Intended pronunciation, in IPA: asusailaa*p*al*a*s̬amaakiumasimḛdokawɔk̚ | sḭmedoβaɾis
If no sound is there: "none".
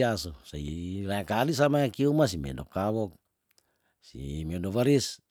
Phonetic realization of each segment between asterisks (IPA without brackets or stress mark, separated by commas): k, i